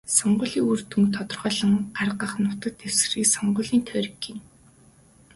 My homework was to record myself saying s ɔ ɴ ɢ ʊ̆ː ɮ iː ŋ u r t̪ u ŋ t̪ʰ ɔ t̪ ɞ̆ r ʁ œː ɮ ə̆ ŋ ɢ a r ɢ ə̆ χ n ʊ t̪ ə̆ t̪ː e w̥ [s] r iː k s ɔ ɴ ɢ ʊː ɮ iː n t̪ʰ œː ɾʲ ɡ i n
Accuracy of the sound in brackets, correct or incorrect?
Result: correct